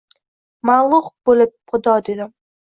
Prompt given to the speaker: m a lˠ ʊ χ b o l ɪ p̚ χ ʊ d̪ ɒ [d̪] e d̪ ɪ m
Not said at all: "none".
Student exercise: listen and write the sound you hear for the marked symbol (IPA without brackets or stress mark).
d̪